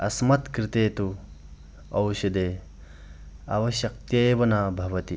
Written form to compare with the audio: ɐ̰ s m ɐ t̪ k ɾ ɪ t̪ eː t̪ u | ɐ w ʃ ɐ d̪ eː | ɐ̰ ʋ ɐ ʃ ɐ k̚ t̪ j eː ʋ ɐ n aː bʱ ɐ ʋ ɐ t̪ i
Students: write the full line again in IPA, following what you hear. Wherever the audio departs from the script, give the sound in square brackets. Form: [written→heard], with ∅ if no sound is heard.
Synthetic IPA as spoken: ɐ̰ s m ɐ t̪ k ɾ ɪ t̪ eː t̪ u | ɐ w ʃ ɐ d̪ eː | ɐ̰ ʋ ɐ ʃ ɐ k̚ t̪ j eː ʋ ɐ n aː bʱ ɐ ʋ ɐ t̪ i